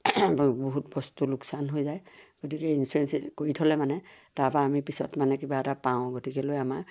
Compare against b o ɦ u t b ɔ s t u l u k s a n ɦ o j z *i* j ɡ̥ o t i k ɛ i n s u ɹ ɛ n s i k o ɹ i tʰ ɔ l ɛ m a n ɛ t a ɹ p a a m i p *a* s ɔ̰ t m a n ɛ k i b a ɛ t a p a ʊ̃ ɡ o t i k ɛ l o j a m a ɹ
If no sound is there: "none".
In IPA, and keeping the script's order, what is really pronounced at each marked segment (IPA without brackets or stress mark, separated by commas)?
a, i